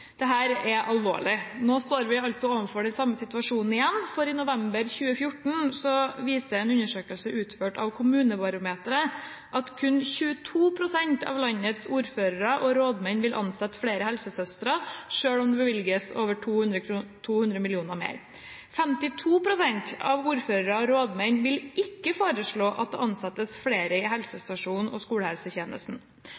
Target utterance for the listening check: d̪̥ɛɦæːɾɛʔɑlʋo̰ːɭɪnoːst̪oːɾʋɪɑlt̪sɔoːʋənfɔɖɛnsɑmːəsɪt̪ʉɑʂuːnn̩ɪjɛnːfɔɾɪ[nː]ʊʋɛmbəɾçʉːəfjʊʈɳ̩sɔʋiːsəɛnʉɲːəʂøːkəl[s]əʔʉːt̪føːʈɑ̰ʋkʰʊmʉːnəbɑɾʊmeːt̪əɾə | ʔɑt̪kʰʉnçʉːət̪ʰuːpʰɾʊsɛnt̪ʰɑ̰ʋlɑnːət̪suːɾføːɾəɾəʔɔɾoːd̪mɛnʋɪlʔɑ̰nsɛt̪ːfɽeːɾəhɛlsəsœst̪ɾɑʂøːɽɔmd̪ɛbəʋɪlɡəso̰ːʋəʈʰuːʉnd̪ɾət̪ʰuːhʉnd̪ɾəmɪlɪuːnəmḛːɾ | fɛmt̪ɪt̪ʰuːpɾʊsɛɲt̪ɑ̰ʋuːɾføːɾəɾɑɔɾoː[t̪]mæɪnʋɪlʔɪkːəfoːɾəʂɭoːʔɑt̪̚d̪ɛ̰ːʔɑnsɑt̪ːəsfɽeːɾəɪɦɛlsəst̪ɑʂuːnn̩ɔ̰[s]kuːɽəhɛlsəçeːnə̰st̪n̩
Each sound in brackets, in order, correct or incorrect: incorrect, correct, incorrect, correct

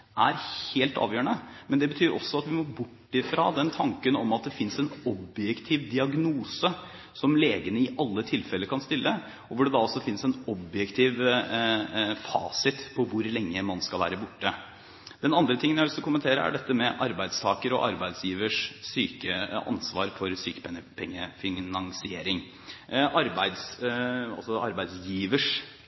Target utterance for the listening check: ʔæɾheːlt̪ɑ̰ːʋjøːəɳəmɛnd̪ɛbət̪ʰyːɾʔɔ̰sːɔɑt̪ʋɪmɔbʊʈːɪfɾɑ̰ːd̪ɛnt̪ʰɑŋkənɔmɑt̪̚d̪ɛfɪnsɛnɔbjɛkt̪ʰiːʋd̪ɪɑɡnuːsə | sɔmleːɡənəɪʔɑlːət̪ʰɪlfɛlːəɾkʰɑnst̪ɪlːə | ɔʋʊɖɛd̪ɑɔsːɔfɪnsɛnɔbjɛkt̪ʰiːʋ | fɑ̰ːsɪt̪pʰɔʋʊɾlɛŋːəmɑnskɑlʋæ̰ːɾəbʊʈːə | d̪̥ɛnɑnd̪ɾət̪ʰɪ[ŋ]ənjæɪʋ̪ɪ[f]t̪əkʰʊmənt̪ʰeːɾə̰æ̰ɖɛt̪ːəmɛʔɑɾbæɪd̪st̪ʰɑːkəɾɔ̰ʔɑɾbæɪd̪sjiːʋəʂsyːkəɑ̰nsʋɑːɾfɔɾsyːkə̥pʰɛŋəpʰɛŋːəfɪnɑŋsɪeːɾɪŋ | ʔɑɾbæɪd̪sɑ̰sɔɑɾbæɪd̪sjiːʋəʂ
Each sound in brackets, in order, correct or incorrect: correct, incorrect

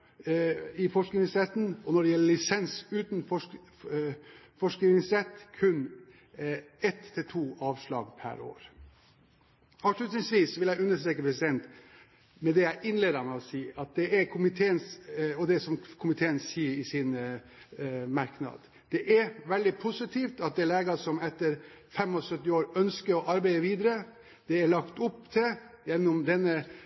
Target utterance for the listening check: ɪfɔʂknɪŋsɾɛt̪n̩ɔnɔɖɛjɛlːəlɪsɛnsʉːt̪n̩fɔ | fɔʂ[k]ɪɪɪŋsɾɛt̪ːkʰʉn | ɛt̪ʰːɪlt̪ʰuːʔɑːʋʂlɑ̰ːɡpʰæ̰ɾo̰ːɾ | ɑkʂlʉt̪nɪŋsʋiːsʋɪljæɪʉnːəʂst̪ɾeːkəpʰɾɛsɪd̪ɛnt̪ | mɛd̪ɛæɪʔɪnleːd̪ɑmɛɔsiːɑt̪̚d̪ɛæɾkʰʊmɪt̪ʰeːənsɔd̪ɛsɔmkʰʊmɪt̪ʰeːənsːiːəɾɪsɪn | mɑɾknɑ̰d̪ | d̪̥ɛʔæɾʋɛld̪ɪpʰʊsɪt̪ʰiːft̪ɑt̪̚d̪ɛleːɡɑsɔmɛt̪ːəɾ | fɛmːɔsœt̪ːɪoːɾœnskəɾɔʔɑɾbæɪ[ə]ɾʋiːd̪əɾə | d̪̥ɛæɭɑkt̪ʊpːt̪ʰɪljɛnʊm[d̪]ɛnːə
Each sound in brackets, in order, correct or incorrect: correct, correct, correct

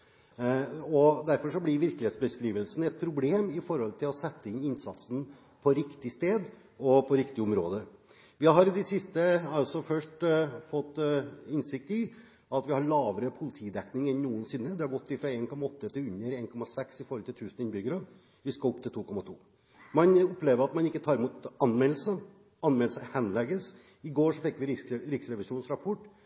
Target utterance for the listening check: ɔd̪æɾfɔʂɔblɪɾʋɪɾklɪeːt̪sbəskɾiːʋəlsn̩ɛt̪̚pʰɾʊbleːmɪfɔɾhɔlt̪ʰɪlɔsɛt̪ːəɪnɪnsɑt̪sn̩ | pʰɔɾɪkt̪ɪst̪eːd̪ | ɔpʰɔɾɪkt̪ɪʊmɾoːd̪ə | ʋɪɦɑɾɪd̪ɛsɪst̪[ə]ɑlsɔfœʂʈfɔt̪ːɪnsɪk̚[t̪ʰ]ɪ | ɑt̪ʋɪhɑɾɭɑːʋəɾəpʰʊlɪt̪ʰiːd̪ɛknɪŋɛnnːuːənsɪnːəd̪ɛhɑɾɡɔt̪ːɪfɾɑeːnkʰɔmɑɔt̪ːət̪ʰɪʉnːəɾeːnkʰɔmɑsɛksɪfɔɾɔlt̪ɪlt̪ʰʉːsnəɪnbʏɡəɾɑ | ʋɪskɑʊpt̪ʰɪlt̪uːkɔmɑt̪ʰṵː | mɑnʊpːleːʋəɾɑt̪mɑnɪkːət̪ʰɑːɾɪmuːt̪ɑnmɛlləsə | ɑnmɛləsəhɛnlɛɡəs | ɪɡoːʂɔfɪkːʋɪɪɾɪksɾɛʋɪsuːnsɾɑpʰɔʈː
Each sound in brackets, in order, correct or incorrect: correct, incorrect

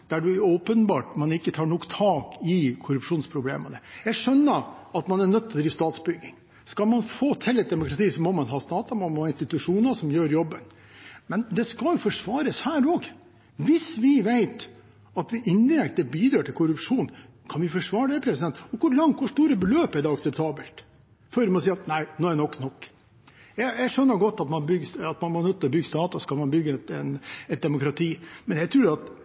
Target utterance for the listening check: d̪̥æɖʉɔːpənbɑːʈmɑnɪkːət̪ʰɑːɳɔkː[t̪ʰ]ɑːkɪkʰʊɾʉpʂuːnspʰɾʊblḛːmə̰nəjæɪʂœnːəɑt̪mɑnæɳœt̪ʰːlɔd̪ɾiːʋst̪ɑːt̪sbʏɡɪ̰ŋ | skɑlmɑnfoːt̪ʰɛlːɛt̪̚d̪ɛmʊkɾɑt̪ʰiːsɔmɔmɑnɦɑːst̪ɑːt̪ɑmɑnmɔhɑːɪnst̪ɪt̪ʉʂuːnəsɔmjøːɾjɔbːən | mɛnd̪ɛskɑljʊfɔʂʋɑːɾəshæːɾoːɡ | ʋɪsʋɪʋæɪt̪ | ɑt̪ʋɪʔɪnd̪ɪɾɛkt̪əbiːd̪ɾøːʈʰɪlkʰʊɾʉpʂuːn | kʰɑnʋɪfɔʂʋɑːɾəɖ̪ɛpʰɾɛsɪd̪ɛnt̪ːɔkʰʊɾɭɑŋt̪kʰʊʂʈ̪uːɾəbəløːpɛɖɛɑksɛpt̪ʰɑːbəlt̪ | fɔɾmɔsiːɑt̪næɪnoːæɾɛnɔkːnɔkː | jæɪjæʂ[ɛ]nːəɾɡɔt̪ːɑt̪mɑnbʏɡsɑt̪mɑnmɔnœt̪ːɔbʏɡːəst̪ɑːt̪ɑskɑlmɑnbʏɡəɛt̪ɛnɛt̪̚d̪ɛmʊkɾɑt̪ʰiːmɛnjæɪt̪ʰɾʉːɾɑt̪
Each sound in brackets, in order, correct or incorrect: correct, incorrect

